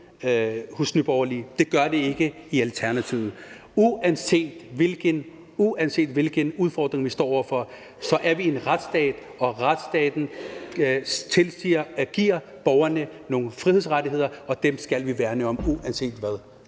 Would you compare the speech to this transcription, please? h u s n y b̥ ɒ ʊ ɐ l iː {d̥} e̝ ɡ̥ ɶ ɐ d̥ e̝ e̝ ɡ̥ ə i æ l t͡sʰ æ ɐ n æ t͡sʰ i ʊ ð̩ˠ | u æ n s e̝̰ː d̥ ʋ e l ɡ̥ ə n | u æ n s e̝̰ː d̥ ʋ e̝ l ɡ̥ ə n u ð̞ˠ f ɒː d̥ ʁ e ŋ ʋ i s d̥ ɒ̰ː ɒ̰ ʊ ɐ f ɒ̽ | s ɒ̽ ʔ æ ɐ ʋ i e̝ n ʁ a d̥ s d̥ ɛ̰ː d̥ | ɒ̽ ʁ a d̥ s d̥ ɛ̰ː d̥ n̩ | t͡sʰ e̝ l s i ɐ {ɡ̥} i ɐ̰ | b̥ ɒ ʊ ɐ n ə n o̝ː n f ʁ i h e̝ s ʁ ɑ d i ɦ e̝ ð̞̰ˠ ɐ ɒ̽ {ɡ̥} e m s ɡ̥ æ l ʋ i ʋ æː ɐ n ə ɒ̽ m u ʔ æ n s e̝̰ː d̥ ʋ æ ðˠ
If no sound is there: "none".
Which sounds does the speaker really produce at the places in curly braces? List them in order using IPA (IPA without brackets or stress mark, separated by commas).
d̥, ɡ̥, d̥